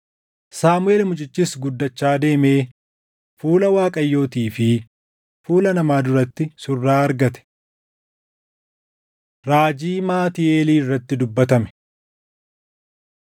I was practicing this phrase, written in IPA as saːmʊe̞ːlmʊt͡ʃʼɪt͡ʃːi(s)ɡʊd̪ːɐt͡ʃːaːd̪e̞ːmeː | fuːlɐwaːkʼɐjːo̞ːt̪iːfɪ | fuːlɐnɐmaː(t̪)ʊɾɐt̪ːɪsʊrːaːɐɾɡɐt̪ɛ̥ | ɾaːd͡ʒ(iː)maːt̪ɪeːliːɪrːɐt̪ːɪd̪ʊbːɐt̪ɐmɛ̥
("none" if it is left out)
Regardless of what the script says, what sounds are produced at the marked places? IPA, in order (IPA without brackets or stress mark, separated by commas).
s, d̪, iː